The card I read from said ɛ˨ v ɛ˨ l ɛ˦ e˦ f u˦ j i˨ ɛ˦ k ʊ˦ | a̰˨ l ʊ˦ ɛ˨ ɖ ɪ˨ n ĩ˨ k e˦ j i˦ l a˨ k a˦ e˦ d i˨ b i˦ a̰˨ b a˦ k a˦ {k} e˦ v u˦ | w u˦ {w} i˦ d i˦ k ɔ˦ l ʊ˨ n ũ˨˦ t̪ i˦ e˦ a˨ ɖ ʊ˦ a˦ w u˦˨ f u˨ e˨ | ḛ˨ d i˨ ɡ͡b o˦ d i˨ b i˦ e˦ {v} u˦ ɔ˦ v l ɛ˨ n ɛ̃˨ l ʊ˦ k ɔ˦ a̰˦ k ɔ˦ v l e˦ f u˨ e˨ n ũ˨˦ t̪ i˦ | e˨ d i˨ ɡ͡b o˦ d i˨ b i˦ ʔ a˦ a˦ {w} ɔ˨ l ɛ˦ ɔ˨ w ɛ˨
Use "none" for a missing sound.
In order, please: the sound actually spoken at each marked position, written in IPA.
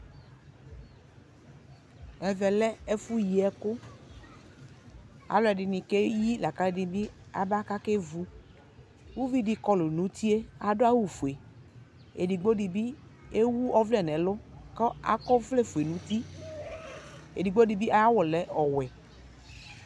k, v, w, w

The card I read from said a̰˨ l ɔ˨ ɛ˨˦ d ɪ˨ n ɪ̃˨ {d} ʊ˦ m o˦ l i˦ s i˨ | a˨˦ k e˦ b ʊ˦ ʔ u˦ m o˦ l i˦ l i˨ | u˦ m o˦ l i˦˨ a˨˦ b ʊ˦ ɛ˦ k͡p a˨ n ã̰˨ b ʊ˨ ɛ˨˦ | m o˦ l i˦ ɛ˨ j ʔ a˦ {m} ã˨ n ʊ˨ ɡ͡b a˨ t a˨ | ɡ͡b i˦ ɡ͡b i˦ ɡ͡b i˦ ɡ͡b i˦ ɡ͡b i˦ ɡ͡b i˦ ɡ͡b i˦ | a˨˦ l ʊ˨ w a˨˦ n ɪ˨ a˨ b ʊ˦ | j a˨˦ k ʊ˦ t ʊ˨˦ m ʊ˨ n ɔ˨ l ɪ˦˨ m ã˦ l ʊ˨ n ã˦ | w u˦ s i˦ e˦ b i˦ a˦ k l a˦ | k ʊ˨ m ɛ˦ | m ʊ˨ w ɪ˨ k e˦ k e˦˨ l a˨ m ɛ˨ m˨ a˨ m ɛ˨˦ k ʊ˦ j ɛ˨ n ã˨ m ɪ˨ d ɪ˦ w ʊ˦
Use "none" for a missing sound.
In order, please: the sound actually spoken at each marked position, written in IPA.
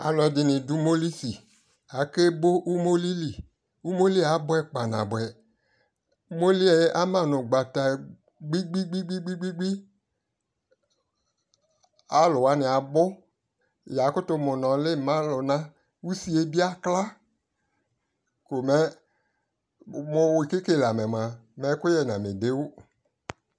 d, m

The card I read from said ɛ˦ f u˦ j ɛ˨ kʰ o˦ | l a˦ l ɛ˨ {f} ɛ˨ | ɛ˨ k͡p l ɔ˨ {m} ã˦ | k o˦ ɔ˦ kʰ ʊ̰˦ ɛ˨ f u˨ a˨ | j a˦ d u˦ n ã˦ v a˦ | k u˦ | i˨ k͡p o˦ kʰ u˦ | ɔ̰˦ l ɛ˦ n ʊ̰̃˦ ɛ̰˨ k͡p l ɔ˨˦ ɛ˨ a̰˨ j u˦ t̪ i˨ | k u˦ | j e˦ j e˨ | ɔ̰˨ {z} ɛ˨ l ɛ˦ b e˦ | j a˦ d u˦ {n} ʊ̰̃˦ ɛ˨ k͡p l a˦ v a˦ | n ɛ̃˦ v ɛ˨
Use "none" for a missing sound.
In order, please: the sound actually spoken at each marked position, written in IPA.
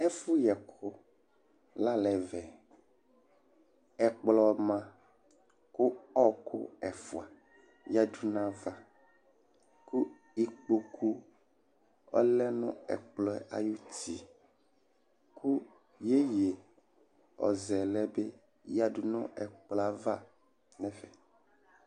v, m, z, n

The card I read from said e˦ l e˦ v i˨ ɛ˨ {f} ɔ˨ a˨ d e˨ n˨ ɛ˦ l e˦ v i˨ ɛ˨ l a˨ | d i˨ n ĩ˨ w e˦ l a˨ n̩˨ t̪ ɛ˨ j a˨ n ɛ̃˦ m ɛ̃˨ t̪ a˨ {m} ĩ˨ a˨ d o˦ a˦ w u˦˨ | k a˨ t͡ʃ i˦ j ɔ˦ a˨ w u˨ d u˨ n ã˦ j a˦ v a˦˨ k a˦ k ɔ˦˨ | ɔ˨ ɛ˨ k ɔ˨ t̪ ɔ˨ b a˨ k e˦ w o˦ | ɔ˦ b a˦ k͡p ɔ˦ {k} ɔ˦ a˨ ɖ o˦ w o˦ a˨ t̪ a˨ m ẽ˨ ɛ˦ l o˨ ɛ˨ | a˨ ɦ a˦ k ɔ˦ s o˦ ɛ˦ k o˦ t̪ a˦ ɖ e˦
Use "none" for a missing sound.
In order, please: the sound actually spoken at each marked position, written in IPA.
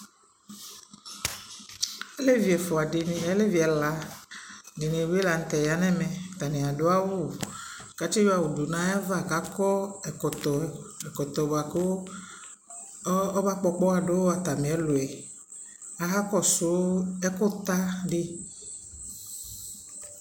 f, n, k͡p

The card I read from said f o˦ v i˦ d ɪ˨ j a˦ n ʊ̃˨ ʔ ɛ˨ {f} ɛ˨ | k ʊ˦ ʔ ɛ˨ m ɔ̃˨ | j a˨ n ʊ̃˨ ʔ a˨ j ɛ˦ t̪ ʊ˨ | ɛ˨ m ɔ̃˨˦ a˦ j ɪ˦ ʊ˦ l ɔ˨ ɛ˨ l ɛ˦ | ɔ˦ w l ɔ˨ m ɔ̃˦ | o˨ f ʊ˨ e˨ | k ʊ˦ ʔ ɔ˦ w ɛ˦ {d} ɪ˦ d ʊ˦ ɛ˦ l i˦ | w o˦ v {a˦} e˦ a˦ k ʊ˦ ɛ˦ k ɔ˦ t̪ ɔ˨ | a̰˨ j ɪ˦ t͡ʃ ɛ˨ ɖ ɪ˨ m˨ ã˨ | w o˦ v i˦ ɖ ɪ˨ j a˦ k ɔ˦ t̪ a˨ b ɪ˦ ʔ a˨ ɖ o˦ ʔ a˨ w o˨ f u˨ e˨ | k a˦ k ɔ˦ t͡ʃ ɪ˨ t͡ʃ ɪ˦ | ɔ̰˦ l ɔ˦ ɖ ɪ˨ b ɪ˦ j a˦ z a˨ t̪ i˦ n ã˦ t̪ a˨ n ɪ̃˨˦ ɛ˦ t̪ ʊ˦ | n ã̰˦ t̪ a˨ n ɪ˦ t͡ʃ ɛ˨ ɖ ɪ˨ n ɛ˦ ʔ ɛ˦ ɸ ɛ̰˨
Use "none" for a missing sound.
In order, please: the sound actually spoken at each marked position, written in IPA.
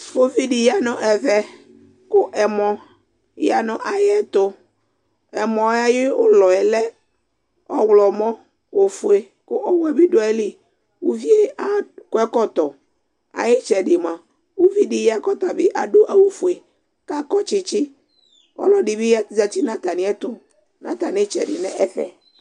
v, b, i˦

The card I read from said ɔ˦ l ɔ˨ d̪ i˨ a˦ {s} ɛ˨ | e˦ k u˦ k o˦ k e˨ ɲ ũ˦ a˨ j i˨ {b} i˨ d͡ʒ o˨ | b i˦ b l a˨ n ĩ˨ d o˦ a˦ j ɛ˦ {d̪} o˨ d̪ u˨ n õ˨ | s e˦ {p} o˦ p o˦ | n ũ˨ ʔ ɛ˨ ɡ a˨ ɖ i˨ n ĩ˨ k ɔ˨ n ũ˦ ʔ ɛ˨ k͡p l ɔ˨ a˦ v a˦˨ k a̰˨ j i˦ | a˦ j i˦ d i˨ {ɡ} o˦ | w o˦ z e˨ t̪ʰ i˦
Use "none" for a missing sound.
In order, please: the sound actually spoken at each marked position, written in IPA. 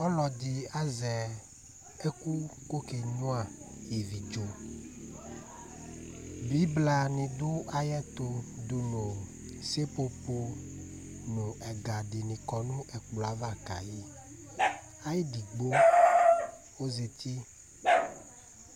z, v, t̪, p, ɡ͡b

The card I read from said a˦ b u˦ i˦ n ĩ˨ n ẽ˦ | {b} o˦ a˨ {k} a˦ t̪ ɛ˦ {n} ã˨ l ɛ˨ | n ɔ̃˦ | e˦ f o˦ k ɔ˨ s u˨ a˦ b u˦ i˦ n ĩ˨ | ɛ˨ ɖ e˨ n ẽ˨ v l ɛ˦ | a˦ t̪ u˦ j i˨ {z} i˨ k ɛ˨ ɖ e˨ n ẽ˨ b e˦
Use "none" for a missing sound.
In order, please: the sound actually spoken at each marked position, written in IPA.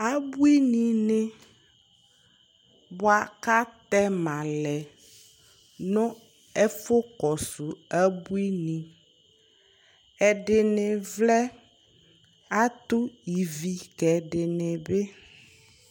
b, k, m, v

